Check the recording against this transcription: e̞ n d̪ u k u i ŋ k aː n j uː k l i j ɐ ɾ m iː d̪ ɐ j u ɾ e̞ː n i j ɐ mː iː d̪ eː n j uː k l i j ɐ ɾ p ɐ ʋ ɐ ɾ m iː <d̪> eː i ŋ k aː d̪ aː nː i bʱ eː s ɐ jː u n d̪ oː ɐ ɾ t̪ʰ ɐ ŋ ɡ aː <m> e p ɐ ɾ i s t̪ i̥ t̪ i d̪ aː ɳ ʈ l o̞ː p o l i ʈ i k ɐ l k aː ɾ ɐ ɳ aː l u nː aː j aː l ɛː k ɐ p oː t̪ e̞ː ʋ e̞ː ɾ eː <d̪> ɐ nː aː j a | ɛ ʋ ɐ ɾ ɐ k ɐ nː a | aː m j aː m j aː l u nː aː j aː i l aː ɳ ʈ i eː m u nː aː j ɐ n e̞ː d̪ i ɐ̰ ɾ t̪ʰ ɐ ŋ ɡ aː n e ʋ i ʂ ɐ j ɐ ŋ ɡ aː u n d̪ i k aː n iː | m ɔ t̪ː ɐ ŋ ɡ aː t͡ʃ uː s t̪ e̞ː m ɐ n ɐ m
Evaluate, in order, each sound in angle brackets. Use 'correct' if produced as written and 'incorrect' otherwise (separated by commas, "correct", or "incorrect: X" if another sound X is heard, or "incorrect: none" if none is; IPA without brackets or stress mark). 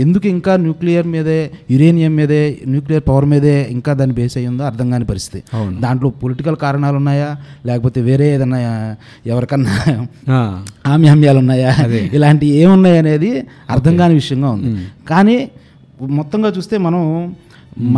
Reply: correct, incorrect: n, correct